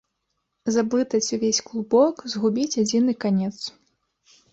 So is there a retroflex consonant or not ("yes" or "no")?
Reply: no